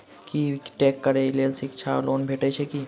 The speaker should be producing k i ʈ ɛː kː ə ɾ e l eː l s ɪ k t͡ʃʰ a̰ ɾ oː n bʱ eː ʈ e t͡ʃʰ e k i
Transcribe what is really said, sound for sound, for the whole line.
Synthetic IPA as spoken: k i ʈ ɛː kː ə ɾ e l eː l s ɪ k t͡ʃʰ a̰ l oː n bʱ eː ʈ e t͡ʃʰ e k i